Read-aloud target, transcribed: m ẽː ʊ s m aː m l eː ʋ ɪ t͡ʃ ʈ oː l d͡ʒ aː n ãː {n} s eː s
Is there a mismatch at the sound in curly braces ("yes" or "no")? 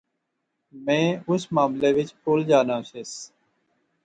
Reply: yes